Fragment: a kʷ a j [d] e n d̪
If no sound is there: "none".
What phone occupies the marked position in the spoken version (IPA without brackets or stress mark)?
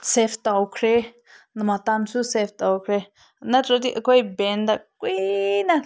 b